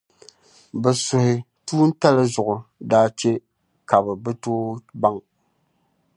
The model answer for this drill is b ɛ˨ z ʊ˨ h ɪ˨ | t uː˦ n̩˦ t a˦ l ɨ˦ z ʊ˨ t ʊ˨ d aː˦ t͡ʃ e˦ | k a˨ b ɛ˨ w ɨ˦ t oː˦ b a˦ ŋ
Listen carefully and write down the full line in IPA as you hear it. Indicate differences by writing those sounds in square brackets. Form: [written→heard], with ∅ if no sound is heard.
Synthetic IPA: b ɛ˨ [z→s] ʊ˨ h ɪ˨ | t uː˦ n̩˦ t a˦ l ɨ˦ z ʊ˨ [t→ʔ] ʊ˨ d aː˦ t͡ʃ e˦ | k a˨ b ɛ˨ [w→b] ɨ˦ t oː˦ b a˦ ŋ

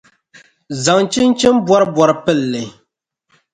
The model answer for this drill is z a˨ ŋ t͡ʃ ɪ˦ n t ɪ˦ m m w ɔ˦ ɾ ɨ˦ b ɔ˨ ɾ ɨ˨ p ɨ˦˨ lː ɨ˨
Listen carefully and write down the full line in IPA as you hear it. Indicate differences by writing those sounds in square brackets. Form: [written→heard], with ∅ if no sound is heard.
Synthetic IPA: z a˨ ŋ t͡ʃ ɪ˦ n [t→t͡ʃ] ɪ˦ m [m→b] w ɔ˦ ɾ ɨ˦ b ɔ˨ ɾ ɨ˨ p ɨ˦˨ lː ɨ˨

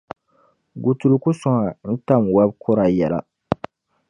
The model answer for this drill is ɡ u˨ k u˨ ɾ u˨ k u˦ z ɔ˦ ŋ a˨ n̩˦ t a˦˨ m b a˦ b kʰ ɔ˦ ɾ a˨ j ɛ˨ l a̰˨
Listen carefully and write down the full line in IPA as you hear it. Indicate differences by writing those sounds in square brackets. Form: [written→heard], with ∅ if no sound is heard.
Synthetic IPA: ɡ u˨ [k→t] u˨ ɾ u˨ k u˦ [z→s] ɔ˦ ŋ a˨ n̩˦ t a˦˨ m [b→w] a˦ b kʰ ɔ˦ ɾ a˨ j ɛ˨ l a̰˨

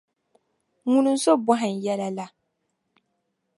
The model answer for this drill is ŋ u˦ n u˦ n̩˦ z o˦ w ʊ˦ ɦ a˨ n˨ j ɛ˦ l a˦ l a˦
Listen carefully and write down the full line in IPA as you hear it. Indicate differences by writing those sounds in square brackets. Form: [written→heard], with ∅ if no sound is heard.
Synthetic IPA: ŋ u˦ n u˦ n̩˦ [z→s] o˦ [w→b] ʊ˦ ɦ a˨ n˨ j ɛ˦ l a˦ l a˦

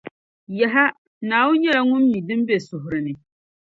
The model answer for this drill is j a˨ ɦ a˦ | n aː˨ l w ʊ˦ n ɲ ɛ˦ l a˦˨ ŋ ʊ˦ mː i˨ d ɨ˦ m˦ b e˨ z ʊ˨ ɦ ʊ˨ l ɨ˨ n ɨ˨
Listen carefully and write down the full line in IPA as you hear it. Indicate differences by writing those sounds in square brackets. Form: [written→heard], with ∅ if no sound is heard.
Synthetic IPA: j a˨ ɦ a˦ | n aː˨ [l→∅] w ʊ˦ n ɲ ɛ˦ l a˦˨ ŋ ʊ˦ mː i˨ d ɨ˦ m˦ b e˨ [z→s] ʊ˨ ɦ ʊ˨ [l→ɾ] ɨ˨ n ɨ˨

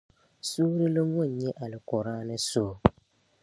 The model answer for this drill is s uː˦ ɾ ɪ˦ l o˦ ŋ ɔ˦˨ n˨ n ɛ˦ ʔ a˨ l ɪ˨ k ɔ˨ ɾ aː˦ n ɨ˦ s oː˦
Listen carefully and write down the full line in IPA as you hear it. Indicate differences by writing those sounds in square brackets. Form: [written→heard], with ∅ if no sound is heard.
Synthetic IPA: s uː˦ ɾ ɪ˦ l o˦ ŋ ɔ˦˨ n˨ [n→ɲ] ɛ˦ ʔ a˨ l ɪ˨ k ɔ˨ ɾ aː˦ n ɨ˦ s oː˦

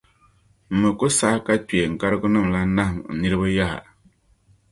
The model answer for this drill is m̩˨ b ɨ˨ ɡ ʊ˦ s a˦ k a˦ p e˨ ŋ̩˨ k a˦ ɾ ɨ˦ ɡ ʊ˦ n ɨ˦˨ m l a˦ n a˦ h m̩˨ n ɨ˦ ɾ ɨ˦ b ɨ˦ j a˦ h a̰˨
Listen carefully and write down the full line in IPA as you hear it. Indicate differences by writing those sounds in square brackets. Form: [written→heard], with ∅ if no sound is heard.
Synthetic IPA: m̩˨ [b→m] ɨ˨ [ɡ→k] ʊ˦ s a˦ k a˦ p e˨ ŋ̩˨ k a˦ ɾ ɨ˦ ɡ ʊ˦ n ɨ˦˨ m l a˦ n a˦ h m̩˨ n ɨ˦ ɾ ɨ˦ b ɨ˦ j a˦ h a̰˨

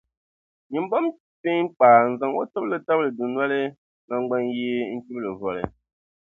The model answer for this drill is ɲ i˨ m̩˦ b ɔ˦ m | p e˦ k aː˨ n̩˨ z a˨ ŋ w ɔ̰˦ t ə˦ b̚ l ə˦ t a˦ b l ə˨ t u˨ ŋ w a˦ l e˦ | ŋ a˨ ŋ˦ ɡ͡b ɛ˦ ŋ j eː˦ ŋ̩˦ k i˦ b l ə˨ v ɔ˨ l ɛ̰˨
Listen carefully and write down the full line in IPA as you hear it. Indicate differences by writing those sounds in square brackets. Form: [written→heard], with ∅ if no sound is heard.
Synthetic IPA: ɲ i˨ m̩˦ b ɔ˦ m | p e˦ [k→k͡p] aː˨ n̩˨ z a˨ ŋ w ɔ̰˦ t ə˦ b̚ l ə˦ t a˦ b l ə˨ [t→d] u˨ [ŋ→n] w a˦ l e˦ | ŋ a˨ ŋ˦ ɡ͡b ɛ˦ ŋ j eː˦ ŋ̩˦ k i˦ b l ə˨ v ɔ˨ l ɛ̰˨

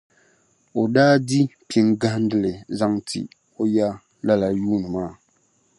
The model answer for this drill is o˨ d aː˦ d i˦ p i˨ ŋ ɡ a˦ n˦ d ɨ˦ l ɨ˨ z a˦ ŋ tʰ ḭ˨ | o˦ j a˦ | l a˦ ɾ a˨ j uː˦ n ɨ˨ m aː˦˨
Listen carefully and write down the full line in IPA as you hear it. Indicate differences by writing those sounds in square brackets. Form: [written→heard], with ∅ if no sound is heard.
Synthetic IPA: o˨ d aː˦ d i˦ p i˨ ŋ ɡ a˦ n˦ d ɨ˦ l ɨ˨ z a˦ ŋ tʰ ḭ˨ | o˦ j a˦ | l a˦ [ɾ→l] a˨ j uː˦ n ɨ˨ m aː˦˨

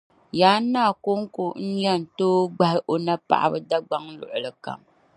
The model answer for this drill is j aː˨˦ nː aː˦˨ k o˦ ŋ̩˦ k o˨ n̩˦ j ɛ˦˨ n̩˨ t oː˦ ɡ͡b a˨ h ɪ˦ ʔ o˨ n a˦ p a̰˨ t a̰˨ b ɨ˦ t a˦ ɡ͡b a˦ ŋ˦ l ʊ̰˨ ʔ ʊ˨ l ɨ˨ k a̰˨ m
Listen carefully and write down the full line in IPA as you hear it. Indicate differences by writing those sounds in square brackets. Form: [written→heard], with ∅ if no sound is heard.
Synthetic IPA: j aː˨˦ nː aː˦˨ k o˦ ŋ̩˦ k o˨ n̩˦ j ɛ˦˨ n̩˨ t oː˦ ɡ͡b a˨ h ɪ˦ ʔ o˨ n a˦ p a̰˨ [t→ʔ] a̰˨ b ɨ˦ [t→d] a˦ ɡ͡b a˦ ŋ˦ l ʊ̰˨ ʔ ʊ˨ l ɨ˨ k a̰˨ m

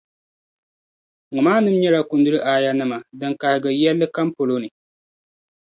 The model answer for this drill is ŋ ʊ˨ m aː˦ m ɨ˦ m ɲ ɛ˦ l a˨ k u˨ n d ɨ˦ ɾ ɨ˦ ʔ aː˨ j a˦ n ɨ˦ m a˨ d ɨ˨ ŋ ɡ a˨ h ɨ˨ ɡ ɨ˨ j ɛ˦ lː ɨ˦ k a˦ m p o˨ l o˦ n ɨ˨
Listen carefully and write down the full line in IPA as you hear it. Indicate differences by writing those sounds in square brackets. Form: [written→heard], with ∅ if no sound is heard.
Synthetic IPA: ŋ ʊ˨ m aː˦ [m→n] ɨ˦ m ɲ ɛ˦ l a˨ k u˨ n d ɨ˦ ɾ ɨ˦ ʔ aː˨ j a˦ n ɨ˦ m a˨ d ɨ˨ ŋ [ɡ→k] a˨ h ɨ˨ ɡ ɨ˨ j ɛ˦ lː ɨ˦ k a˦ m p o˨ l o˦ n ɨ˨

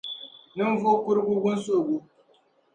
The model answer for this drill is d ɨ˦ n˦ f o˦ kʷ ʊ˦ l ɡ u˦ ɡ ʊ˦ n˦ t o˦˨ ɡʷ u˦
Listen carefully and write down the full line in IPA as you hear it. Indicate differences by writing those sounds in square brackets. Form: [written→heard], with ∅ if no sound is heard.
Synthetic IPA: [d→n] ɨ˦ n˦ [f→v] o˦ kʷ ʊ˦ [l→ɾ] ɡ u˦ ɡ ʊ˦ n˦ [t→s] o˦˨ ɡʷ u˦

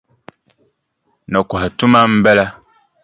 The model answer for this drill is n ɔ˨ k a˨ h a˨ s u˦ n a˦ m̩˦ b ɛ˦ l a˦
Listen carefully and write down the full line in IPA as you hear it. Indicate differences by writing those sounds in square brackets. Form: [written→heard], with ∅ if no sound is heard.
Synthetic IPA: n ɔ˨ k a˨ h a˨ [s→t] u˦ [n→m] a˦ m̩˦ b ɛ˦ l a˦

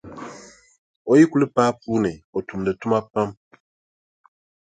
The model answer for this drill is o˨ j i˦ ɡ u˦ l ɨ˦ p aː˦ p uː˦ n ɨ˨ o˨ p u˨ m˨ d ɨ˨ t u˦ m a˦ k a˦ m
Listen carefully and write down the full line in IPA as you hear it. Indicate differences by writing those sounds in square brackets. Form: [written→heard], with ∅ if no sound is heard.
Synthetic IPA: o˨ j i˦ [ɡ→k] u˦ l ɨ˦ p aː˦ p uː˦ n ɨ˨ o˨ [p→t] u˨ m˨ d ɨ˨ t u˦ m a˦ [k→p] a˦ m

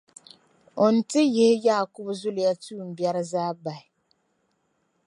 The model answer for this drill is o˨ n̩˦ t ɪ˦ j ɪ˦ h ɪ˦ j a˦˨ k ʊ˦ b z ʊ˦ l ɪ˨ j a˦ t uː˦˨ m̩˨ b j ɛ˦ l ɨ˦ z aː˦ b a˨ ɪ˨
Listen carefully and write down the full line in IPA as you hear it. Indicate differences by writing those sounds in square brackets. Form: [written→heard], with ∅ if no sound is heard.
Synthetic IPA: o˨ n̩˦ t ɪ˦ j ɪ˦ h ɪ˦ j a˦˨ k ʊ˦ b z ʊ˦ l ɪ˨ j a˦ t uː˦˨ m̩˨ b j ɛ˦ [l→ɾ] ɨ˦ z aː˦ b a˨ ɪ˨

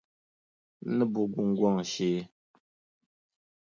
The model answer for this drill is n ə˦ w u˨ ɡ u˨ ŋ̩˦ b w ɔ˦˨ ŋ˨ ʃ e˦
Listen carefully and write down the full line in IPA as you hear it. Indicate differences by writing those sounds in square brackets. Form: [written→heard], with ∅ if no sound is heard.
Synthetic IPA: n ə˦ [w→b] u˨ ɡ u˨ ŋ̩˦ [b→ɡ] w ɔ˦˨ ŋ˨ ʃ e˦

